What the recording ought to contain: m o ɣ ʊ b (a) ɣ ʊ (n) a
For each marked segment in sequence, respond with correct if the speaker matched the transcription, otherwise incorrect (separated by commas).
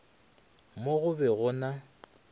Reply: incorrect, correct